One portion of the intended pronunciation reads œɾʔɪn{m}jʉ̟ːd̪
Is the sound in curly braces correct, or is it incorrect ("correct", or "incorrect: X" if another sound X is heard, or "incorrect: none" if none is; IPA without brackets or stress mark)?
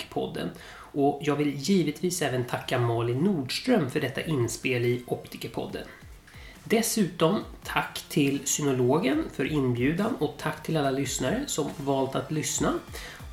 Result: incorrect: b